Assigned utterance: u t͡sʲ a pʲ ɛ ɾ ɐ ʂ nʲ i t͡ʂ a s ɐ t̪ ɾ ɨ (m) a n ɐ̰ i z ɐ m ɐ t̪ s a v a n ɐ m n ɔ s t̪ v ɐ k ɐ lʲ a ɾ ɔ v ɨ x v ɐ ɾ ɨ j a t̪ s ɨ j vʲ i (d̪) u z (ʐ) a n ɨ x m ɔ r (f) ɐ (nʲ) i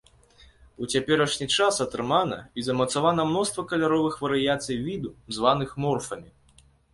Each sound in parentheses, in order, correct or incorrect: correct, correct, incorrect: v, correct, incorrect: mʲ

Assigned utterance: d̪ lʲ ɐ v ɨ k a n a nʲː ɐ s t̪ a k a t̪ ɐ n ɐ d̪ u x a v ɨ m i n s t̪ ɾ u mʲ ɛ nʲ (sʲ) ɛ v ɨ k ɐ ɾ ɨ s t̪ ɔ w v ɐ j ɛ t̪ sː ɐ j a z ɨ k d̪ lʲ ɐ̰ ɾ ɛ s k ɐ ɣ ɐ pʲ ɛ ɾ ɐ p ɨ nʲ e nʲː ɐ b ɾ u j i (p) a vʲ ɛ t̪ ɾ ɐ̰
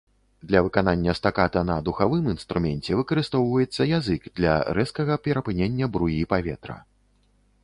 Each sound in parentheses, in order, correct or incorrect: incorrect: t͡sʲ, correct

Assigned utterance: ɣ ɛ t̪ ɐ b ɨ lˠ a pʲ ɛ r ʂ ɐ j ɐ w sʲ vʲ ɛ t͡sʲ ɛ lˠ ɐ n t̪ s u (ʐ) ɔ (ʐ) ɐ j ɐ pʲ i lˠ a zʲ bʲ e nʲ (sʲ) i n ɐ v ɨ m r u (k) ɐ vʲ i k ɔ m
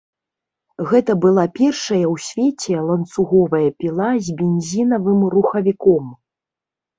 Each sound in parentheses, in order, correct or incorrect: incorrect: ɣ, incorrect: v, incorrect: zʲ, incorrect: x

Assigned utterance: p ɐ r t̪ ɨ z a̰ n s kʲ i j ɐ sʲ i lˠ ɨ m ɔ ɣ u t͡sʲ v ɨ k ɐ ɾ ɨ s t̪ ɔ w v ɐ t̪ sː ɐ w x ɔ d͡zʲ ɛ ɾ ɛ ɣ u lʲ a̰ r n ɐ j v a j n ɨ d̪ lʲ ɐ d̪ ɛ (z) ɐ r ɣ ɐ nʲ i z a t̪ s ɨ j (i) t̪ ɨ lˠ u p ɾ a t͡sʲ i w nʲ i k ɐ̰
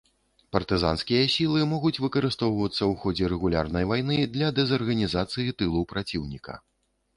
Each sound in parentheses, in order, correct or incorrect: correct, correct

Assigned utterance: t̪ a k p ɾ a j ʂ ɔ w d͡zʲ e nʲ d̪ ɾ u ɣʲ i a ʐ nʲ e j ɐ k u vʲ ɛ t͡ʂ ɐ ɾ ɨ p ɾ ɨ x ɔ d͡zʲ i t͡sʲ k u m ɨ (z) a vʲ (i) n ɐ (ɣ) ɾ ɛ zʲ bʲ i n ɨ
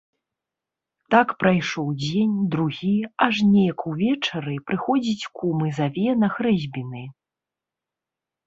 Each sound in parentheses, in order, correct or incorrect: correct, incorrect: ɛ, incorrect: x

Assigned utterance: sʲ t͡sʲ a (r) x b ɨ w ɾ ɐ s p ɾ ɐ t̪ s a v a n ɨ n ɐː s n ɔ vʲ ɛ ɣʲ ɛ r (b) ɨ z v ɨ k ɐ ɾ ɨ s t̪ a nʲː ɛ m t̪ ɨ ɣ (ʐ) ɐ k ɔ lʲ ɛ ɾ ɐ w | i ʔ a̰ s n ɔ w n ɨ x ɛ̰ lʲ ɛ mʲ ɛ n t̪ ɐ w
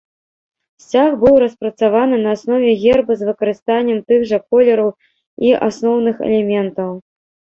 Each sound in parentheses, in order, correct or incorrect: incorrect: none, correct, correct

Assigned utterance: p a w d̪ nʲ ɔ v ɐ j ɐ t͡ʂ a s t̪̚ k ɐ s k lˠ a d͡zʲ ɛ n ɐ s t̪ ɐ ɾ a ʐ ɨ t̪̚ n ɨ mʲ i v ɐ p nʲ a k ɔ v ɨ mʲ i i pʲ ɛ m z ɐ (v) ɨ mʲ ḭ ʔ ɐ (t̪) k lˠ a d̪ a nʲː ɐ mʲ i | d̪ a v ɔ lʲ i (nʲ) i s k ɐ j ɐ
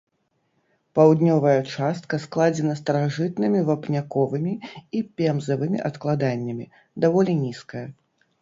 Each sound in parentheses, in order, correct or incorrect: correct, correct, correct

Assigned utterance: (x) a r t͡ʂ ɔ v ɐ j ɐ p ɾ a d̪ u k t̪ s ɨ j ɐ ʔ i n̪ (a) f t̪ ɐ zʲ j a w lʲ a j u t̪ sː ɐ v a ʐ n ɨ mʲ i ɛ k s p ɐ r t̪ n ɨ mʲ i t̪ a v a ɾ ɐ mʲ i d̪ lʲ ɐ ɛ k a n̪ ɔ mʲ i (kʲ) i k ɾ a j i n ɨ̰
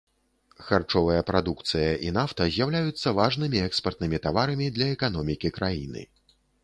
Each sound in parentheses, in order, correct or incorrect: correct, correct, correct

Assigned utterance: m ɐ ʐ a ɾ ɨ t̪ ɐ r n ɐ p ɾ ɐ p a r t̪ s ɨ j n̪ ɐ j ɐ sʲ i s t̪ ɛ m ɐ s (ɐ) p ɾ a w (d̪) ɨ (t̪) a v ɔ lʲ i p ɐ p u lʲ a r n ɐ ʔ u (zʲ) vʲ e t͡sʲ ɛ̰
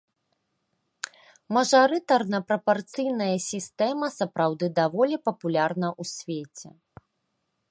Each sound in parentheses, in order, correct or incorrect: correct, correct, incorrect: d̪, incorrect: sʲ

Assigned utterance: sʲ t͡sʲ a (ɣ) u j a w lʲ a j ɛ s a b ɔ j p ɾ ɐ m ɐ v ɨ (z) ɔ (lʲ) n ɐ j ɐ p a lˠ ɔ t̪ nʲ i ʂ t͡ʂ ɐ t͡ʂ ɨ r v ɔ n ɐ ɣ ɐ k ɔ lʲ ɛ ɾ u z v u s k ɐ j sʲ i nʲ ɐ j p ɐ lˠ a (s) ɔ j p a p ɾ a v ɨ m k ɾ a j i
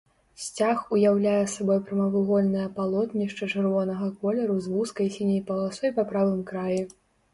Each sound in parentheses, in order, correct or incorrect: incorrect: x, incorrect: ɣ, correct, correct

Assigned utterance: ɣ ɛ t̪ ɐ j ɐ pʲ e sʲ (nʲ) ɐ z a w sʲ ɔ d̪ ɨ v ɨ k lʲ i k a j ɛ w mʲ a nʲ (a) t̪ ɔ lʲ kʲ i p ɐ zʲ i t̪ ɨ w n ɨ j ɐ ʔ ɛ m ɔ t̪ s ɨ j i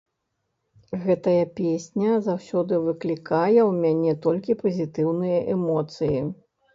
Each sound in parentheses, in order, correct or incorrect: correct, incorrect: ɛ

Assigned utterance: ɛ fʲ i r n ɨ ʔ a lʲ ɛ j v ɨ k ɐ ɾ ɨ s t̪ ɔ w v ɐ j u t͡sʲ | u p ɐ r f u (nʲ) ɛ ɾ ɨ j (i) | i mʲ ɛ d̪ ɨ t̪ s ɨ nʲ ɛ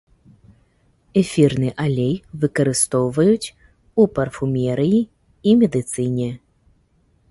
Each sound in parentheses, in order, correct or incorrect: incorrect: mʲ, correct

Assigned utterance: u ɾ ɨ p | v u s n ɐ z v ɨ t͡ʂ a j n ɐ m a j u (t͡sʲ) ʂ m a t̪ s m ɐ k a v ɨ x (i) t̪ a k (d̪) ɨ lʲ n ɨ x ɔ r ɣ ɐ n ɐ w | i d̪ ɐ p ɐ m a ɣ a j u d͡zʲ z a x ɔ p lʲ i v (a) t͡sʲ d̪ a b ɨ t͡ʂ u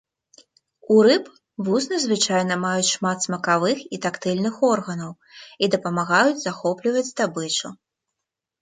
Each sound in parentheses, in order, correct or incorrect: correct, correct, incorrect: t̪, incorrect: ɐ

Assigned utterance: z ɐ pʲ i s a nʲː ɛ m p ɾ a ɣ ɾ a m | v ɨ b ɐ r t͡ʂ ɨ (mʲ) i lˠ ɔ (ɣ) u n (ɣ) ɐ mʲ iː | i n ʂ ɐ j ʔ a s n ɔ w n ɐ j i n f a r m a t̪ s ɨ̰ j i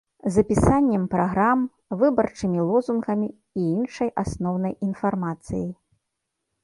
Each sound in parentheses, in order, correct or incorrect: correct, incorrect: z, correct

